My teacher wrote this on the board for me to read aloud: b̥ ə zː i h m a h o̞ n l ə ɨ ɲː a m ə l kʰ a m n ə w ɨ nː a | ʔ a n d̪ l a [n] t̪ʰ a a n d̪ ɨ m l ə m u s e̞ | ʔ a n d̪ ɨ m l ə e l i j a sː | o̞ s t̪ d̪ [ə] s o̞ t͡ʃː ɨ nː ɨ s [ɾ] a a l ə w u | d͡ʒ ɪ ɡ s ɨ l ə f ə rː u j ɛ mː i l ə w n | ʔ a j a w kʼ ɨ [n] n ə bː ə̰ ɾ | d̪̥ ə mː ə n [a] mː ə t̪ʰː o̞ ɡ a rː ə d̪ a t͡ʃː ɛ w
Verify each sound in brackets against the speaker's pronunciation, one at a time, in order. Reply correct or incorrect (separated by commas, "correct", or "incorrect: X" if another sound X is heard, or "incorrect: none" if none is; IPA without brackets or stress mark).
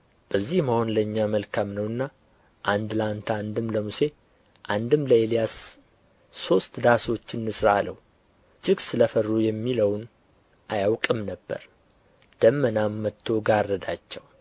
correct, incorrect: a, correct, incorrect: m, correct